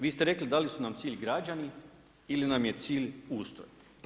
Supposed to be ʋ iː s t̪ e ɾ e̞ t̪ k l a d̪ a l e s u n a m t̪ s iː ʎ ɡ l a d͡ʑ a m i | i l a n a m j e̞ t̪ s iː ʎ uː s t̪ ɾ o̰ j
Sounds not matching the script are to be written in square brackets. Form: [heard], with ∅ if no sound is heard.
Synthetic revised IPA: ʋ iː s t̪ e ɾ e̞ [∅] k l [i] d̪ a l [i] s u n a m t̪ s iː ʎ ɡ [ɾ] a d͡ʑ a [n] i | i l [i] n a m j e̞ t̪ s iː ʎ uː s t̪ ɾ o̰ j

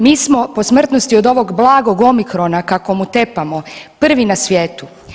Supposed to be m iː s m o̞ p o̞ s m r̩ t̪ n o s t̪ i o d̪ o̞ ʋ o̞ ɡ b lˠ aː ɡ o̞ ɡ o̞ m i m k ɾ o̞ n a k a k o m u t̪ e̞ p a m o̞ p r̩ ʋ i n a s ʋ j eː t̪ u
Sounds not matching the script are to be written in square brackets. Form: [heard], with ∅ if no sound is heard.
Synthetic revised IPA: m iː s m o̞ p o̞ s m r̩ t̪ n o s t̪ i o d̪ o̞ ʋ o̞ ɡ b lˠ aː ɡ o̞ ɡ o̞ m i [∅] k ɾ o̞ n a k a k o m u t̪ e̞ p a m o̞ p r̩ ʋ i n a s ʋ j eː t̪ u

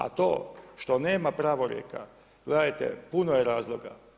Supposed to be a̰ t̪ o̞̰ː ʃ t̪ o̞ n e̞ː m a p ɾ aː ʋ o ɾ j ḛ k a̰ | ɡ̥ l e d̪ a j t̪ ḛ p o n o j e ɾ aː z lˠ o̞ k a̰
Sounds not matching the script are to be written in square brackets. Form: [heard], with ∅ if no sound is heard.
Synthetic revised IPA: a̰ t̪ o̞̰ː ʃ t̪ o̞ n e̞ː m a p ɾ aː ʋ o ɾ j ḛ k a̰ | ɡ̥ l e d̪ a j t̪ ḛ p [u] n o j e ɾ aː z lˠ o̞ [ɡ] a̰

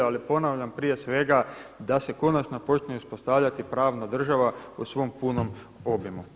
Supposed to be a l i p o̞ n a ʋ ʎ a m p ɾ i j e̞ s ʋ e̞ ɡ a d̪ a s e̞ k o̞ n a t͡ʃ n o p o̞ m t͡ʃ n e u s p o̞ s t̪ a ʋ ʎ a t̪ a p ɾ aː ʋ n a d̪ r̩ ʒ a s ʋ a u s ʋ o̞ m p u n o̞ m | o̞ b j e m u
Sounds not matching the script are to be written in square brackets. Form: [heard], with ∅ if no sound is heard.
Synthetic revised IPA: a l i p o̞ n a ʋ ʎ a m p ɾ i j e̞ s ʋ e̞ ɡ a d̪ a s e̞ k o̞ n a t͡ʃ n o p o̞ [∅] t͡ʃ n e u s p o̞ s t̪ a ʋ ʎ a t̪ [i] p ɾ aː ʋ n a d̪ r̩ ʒ a [∅] ʋ a u s ʋ o̞ m p u n o̞ m | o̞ b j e m u

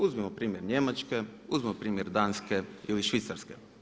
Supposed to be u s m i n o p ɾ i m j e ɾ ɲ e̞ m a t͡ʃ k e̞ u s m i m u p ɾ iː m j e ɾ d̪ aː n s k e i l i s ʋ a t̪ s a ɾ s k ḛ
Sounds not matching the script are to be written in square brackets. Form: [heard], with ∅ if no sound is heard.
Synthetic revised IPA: u [z] m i [m] o p ɾ [iː] m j e ɾ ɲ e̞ m a t͡ʃ k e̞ u [z] m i m [o] p ɾ iː m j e ɾ d̪ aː n s k e i l i [ʃ] ʋ [i] t̪ s a ɾ s k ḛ

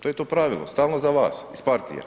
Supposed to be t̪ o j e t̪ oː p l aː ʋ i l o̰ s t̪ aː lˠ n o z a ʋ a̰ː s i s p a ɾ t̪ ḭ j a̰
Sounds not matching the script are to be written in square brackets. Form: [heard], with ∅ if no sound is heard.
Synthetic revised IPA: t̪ o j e t̪ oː p [ɾ] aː ʋ i l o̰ s t̪ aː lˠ n o z a ʋ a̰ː s i s p a ɾ t̪ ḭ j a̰

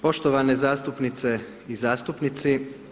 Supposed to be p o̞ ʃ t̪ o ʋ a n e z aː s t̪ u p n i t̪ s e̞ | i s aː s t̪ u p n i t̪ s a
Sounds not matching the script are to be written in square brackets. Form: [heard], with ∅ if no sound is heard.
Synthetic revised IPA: p o̞ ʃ t̪ o ʋ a n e z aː s t̪ u p n i t̪ s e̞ | i [z] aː s t̪ u p n i t̪ s [i]

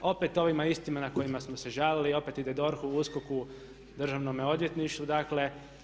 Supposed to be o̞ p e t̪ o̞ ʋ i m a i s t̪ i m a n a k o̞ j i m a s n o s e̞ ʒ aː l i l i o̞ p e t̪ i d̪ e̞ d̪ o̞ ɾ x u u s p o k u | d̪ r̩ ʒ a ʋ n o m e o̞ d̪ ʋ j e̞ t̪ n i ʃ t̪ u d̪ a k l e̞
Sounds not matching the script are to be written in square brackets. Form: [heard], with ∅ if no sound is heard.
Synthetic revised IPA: o̞ p e t̪ o̞ ʋ i m a i s t̪ i m a n a k o̞ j i m a s [m] o s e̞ ʒ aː l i l i o̞ p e t̪ i d̪ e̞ d̪ o̞ ɾ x u u s [k] o k u | d̪ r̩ ʒ a ʋ n o m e o̞ d̪ ʋ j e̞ t̪ n i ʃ t̪ u d̪ a k l e̞

